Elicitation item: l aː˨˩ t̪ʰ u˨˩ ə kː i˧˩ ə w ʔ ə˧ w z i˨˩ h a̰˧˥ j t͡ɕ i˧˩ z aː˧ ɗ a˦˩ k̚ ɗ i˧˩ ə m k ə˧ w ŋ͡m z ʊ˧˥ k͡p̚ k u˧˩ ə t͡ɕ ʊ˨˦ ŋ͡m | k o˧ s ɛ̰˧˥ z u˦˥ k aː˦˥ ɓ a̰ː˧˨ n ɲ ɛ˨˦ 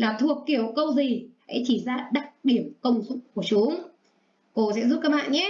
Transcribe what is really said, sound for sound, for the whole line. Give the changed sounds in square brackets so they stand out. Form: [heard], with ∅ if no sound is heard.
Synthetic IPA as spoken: l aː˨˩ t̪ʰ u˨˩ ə kː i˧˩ ə w [k] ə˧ w z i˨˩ h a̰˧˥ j t͡ɕ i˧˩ z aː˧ ɗ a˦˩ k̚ ɗ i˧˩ ə m k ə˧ w ŋ͡m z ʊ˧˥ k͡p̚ k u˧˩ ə t͡ɕ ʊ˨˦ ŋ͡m | k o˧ s ɛ̰˧˥ z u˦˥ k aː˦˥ ɓ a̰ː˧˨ n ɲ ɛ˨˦